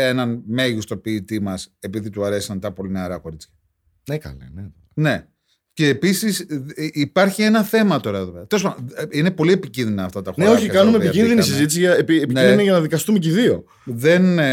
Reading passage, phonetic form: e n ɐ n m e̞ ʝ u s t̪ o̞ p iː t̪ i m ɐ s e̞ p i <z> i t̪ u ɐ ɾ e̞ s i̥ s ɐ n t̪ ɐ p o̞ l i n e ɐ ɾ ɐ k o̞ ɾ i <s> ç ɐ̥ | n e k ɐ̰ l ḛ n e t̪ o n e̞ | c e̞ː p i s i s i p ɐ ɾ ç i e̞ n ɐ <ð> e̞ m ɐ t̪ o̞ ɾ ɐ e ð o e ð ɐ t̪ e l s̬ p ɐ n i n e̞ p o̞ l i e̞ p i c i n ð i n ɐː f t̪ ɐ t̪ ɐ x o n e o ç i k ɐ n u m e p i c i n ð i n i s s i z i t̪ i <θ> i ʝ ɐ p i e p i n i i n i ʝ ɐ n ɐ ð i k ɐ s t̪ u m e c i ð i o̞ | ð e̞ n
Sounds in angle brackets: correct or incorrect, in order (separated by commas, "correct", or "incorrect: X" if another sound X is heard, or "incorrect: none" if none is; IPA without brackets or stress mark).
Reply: incorrect: ð, incorrect: t͡s, incorrect: θ, incorrect: s